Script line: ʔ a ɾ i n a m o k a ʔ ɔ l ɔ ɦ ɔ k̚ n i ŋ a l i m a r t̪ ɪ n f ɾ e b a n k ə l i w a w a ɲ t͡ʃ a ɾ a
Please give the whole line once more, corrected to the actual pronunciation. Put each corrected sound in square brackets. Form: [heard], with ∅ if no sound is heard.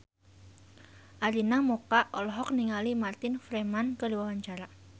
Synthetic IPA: ʔ a ɾ i n a m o k a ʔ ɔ l ɔ ɦ ɔ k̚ n i ŋ a l i m a r t̪ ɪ n f ɾ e [m] a n k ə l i w a w a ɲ t͡ʃ a ɾ a